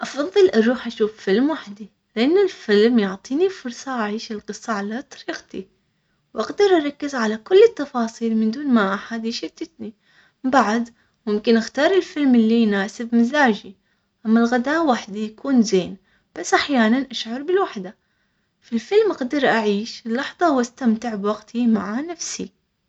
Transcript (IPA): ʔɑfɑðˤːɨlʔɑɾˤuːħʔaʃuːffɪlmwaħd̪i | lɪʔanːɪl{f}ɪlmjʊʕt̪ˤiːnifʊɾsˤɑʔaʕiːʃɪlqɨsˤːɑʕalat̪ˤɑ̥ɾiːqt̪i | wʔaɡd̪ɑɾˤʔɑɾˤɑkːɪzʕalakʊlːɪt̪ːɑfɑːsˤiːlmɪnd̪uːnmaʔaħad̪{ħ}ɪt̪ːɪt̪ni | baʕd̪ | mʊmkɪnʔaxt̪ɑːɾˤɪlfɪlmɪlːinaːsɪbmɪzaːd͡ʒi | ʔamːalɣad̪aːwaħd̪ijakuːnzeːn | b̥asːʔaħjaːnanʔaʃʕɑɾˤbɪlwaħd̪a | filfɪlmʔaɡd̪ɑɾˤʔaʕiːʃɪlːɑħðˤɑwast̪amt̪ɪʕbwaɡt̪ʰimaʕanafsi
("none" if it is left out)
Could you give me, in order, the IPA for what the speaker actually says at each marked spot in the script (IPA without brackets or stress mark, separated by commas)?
f, ʃ